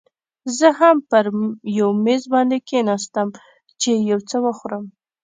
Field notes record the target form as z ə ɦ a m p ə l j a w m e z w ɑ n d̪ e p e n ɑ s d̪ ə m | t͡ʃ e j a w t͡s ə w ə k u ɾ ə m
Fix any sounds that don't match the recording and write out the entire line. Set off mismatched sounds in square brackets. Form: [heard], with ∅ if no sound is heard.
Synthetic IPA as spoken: z ə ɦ a m p ə [ɾ] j a w m e z [b] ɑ n d̪ e [k] e n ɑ s [t̪] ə m | t͡ʃ e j a w t͡s ə w ə [x] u ɾ ə m